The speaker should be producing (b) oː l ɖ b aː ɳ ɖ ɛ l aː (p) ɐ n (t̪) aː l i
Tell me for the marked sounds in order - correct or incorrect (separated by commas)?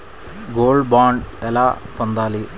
incorrect, correct, incorrect